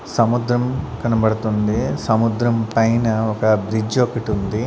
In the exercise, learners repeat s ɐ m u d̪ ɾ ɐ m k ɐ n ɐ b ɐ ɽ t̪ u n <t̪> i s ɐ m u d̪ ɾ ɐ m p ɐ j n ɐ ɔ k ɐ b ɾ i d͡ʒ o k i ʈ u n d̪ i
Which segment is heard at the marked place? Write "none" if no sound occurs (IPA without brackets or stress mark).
d̪